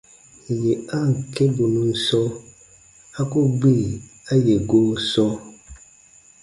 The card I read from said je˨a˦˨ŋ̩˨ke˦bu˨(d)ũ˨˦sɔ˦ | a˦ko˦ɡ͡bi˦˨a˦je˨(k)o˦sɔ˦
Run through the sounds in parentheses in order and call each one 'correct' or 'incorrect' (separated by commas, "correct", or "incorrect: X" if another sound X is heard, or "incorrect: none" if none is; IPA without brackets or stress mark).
incorrect: n, incorrect: ɡ